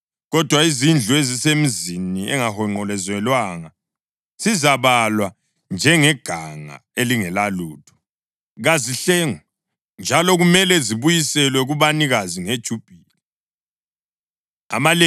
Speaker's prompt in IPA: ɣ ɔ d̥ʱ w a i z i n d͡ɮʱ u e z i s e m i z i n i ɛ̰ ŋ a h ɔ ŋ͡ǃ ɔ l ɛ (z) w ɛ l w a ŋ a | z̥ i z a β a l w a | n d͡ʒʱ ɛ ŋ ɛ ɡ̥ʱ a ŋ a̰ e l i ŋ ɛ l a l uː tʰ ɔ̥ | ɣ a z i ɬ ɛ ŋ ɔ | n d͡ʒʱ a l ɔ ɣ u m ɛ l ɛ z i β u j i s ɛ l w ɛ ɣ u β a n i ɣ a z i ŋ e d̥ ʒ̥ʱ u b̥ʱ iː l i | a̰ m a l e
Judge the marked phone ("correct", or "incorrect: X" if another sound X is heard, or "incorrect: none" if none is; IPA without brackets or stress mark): correct